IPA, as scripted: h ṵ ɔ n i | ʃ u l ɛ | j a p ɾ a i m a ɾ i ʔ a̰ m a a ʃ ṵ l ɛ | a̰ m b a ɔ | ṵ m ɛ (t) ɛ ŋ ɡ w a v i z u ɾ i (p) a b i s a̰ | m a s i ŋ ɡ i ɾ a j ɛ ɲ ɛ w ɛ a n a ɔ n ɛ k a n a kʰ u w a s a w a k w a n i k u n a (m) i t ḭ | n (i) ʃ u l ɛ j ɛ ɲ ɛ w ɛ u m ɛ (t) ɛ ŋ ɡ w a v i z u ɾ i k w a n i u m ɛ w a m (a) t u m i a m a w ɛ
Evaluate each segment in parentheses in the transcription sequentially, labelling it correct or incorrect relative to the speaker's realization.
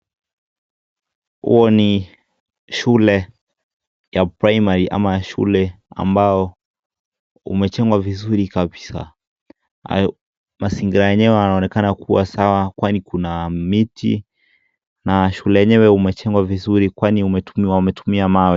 incorrect, incorrect, correct, incorrect, incorrect, incorrect

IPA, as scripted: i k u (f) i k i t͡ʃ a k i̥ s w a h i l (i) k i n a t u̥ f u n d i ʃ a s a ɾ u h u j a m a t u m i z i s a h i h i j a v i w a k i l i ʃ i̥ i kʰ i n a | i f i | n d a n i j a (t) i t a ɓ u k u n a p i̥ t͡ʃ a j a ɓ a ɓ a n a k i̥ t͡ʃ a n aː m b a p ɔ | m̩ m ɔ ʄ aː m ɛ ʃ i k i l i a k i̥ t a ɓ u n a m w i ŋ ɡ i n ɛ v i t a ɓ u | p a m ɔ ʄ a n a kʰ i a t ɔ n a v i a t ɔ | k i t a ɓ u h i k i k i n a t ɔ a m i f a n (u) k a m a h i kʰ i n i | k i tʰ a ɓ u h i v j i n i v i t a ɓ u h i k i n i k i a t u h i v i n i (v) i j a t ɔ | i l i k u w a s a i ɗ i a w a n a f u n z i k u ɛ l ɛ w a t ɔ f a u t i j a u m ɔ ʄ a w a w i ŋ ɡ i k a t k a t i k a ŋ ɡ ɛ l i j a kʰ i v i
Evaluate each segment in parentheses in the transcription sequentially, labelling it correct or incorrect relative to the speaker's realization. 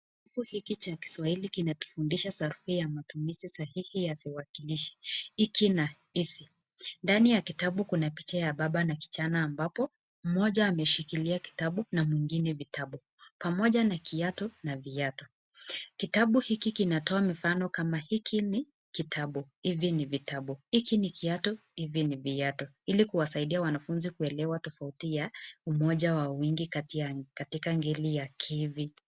incorrect, correct, incorrect, incorrect, correct

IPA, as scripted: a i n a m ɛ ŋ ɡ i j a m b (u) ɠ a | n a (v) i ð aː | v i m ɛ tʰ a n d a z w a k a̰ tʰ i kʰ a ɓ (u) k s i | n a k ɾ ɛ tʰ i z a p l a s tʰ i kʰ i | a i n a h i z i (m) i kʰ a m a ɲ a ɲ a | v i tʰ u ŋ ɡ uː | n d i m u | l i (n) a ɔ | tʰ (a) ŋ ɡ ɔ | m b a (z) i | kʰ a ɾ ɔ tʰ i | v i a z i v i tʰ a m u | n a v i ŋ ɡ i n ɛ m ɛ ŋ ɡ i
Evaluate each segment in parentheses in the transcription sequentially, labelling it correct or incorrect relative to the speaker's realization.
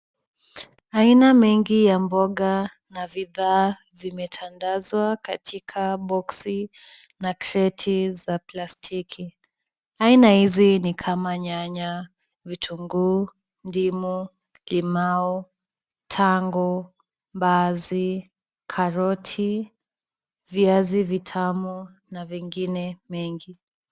incorrect, correct, incorrect, incorrect, incorrect, correct, correct

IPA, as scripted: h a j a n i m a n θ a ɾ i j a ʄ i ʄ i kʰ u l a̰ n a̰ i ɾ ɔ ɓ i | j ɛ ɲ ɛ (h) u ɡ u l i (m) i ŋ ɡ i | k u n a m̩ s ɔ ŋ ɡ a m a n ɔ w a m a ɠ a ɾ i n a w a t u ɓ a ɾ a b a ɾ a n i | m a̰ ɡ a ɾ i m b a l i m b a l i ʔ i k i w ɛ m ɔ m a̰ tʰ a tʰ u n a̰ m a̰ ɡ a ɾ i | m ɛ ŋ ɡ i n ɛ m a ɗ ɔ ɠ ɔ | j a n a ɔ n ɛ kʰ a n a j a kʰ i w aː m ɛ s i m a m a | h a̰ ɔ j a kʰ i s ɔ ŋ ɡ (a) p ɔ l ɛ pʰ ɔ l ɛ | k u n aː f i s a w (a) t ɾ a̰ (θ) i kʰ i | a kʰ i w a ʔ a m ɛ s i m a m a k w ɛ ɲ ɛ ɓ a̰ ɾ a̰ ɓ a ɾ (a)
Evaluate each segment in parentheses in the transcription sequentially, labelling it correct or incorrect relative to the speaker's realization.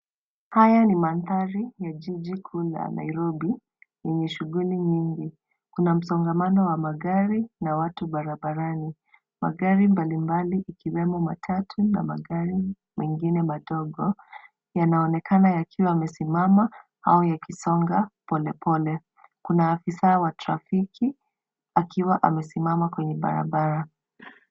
incorrect, incorrect, correct, correct, incorrect, correct

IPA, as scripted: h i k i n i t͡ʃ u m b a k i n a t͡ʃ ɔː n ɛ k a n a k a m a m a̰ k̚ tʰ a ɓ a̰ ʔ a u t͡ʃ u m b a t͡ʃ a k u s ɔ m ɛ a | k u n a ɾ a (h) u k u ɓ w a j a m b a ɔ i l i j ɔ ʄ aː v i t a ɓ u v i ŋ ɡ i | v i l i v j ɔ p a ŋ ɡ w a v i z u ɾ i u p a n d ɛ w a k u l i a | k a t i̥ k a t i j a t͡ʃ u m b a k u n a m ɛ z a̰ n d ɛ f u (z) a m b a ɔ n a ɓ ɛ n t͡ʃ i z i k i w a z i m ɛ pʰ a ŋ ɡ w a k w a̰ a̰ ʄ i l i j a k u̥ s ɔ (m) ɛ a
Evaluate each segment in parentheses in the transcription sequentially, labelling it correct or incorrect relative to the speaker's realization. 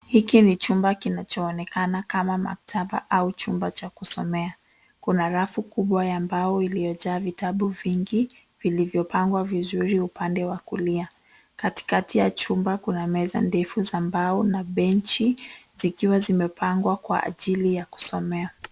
incorrect, correct, correct

